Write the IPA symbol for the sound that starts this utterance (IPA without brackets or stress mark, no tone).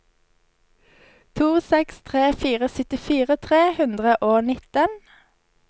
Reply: t̪ʰ